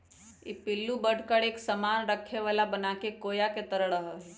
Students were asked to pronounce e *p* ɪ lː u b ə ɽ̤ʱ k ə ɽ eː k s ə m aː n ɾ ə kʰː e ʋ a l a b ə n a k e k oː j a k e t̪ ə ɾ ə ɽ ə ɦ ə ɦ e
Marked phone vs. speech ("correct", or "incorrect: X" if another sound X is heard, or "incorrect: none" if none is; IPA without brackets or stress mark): correct